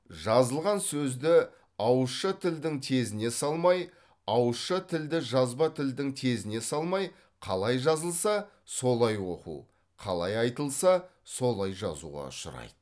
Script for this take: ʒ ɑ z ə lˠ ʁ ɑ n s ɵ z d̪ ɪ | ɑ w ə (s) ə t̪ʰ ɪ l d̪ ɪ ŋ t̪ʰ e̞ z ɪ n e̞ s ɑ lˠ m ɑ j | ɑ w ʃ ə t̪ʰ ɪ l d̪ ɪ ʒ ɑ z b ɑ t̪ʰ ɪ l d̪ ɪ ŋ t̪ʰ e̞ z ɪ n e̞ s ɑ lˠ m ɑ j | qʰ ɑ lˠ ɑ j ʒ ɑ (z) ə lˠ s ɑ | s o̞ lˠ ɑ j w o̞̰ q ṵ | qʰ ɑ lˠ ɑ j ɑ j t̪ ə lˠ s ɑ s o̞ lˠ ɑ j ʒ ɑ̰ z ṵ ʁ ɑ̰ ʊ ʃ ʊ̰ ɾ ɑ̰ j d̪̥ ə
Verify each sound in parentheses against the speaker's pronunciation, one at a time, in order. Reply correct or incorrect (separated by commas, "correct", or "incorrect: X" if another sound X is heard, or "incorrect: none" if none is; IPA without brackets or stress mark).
incorrect: ʃ, correct